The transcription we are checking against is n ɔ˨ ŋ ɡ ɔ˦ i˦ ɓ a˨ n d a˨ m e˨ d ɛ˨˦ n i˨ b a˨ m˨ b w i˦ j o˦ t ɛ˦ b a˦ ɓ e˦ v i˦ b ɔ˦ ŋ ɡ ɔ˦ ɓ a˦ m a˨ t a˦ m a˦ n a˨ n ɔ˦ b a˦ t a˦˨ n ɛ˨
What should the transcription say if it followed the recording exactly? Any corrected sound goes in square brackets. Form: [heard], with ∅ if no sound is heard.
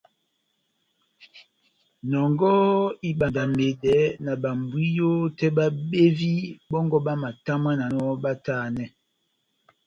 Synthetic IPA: n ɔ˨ ŋ ɡ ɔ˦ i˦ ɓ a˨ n d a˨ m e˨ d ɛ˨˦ n [a˨] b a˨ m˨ b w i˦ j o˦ t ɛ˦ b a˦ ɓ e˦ v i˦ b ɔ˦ ŋ ɡ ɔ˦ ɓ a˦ m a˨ t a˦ m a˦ n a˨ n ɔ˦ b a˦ t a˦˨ n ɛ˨